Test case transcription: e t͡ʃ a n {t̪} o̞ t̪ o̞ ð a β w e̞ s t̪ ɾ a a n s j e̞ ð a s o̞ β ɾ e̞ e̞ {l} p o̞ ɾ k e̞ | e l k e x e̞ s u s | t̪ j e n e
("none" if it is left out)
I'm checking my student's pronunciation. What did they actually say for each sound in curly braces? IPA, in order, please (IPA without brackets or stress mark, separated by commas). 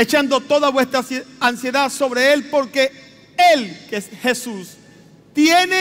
d̪, l